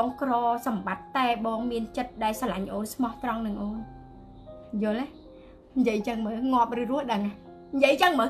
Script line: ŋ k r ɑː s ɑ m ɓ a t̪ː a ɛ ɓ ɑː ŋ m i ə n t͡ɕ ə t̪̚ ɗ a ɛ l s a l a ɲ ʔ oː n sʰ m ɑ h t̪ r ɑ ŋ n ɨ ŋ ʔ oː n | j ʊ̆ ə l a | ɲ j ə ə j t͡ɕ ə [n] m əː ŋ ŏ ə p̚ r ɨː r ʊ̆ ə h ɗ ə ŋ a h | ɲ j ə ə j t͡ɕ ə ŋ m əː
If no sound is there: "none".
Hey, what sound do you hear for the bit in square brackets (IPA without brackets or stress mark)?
ŋ